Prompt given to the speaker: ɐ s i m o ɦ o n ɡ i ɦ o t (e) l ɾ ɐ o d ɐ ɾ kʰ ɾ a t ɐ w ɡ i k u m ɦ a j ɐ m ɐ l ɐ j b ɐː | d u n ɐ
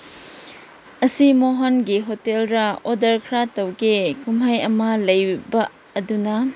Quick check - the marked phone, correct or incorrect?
correct